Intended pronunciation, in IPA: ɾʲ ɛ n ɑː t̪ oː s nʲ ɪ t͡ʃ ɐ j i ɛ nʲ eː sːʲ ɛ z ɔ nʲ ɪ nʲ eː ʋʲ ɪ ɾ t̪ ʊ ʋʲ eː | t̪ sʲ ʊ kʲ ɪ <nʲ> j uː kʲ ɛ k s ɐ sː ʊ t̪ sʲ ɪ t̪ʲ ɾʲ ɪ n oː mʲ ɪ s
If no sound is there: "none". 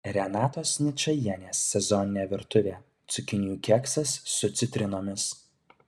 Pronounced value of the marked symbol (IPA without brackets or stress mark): nʲ